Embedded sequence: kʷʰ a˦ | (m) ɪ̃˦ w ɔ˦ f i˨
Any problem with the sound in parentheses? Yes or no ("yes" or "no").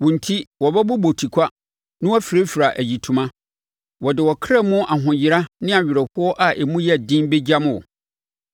yes